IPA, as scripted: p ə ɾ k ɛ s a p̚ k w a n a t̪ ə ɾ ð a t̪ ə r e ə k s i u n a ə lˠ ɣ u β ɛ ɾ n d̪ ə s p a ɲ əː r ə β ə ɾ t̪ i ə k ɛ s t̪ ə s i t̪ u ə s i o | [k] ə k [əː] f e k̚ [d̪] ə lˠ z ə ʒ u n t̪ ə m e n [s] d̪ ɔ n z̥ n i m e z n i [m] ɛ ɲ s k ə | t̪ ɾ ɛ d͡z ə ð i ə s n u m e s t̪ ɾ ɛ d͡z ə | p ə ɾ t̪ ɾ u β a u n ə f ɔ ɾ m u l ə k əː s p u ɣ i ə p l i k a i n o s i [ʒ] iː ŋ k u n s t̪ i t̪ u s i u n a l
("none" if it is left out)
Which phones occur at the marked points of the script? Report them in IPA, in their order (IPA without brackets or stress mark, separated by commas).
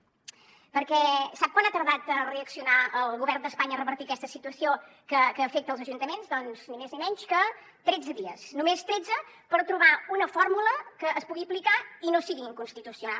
k, əː, t̪, z, m, ɣ